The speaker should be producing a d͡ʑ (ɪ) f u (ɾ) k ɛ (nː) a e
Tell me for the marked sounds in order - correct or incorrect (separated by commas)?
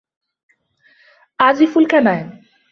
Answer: incorrect, incorrect, incorrect